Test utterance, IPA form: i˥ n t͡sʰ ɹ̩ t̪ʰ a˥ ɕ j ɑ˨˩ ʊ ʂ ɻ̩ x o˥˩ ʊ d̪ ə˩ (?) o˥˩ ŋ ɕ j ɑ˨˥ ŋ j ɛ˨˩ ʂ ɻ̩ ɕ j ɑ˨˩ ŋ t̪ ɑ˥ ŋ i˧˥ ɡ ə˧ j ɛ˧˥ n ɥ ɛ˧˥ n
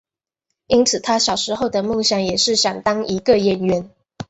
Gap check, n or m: m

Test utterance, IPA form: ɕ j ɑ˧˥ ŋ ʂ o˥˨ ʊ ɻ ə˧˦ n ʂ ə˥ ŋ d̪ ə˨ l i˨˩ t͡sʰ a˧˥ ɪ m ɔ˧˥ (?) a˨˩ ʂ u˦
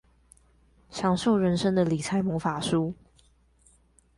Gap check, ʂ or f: f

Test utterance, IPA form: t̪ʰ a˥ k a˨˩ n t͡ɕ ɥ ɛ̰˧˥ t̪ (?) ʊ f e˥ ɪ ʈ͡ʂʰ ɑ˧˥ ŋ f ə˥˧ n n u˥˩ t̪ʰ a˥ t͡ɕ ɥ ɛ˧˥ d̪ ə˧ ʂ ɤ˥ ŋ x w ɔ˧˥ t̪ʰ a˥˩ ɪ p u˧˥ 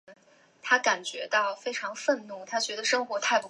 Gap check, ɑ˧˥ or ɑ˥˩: ɑ˥˩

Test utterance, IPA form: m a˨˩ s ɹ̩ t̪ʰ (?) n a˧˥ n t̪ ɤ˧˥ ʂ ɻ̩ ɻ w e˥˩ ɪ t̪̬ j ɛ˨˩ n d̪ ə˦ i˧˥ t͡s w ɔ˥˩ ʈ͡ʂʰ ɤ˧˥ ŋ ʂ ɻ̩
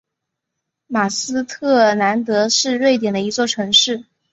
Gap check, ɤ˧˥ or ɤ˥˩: ɤ˥˩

